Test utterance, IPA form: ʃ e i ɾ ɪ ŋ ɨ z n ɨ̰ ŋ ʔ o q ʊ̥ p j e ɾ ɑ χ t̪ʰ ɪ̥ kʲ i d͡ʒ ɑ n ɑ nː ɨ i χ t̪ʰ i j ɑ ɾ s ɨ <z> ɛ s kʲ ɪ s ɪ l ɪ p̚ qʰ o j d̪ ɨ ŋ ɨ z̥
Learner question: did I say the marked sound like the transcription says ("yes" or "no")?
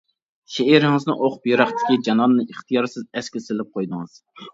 yes